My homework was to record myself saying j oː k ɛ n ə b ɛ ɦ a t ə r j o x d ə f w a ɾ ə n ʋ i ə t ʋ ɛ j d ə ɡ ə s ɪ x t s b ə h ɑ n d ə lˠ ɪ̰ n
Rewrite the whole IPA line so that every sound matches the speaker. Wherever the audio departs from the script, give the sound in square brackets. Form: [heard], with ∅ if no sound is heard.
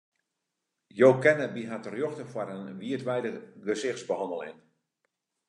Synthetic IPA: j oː k ɛ n ə b [i] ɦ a t ə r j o x [t] ə f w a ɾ ə n ʋ i ə t ʋ ɛ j d ə ɡ ə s ɪ x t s b ə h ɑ n d ə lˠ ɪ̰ n